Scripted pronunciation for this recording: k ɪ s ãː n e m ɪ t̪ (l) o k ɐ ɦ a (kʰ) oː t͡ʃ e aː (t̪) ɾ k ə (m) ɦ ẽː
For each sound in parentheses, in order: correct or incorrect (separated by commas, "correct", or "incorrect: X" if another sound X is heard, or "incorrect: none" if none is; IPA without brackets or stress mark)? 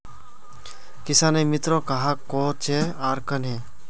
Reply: incorrect: ɾ, incorrect: k, incorrect: none, incorrect: n